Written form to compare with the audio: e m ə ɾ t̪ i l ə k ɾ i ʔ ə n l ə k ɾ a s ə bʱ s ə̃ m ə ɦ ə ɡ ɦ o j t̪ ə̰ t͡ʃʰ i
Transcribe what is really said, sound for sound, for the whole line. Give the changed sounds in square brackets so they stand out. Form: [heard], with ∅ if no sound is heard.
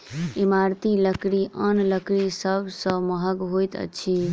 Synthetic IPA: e m [a] ɾ t̪ i l ə k ɾ i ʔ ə n l ə k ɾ [i] s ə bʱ s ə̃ m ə ɦ ə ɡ ɦ o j t̪ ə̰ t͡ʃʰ i